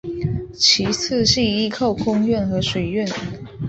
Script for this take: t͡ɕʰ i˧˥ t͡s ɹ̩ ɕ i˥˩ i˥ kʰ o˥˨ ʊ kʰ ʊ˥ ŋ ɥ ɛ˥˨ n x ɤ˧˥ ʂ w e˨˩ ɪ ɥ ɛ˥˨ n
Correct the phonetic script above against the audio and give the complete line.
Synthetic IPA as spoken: t͡ɕʰ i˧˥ t͡sʰ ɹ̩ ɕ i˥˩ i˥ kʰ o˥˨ ʊ kʰ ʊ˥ ŋ ɥ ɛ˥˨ n x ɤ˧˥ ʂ w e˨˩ ɪ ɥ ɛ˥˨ n